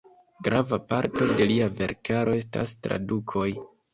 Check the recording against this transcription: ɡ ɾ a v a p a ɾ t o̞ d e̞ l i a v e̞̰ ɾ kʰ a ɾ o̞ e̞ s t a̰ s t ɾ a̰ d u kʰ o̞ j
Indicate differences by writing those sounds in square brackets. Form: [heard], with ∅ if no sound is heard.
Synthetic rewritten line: ɡ ɾ a v a p a ɾ t o̞ d e̞ l i a v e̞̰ ɾ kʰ a ɾ o̞ e̞ s t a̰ s t ɾ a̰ d u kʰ o̞ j